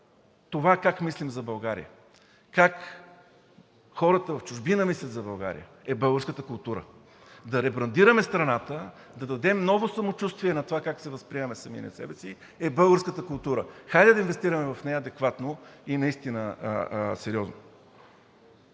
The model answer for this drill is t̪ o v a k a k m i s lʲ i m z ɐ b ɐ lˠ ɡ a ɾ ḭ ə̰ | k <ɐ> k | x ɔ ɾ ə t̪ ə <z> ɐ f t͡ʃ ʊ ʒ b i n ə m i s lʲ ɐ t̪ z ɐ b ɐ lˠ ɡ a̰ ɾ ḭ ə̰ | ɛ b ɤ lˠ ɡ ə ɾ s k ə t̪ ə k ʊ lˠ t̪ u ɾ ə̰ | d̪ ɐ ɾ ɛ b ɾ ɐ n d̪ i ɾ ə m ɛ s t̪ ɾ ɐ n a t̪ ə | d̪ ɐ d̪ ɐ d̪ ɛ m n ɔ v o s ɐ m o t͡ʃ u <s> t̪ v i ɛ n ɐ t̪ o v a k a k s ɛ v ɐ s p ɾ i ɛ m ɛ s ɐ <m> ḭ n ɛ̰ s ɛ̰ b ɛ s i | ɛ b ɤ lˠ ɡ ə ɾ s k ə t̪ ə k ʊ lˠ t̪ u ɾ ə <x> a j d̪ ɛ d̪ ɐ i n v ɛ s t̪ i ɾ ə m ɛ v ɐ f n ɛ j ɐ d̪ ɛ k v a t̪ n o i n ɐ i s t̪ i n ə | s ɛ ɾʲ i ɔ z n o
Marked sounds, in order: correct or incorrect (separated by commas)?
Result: incorrect, incorrect, correct, correct, correct